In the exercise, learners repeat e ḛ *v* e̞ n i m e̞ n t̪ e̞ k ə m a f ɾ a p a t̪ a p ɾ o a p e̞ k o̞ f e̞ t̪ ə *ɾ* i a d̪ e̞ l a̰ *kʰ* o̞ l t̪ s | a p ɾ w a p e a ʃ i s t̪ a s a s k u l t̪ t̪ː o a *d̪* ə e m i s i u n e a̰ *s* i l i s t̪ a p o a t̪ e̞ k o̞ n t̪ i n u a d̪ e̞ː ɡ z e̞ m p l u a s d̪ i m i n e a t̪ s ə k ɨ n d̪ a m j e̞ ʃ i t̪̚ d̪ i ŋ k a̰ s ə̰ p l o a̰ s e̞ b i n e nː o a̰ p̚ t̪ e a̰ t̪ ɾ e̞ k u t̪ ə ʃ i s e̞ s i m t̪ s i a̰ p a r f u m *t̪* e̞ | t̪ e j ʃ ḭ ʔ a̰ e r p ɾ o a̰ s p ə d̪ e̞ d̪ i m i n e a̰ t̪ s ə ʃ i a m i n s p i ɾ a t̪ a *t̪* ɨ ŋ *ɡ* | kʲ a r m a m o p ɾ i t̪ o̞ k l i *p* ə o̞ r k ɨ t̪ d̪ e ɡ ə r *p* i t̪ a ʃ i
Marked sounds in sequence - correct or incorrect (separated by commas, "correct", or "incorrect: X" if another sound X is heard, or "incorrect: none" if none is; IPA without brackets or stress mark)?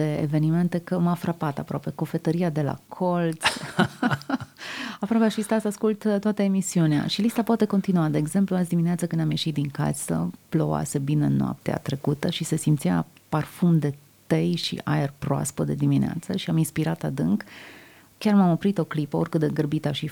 correct, correct, correct, incorrect: t̪, incorrect: ʃ, incorrect: d̪, incorrect: d̪, incorrect: k, correct, incorrect: b